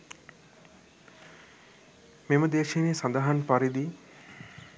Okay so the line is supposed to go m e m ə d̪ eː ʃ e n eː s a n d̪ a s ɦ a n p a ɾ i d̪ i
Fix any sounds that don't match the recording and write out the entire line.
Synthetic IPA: m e m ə d̪ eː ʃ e n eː s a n d̪ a ɦ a n p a ɾ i d̪ i